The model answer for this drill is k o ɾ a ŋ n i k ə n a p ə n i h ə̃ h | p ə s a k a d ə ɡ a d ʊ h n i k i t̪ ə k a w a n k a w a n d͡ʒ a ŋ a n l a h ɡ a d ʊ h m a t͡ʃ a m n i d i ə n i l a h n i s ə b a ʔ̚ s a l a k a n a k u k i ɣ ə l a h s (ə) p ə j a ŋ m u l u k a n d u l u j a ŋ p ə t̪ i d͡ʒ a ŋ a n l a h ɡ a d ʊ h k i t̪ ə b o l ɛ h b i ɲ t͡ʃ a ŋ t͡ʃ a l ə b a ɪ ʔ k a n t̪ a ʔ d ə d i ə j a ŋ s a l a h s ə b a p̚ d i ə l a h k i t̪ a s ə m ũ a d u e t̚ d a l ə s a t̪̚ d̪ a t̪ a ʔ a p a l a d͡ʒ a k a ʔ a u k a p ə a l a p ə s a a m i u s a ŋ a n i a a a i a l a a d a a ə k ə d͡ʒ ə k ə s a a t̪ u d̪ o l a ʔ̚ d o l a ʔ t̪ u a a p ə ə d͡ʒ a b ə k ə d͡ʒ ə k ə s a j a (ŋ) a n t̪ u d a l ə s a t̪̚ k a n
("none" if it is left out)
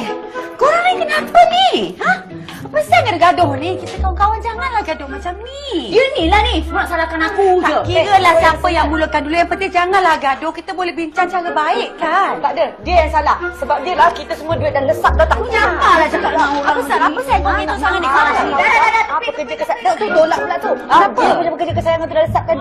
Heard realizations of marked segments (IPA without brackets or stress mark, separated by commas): a, ŋ